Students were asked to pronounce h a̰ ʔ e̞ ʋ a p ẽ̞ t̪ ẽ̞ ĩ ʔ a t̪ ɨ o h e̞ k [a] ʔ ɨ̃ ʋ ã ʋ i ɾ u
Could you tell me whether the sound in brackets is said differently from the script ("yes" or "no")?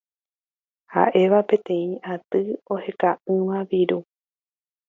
no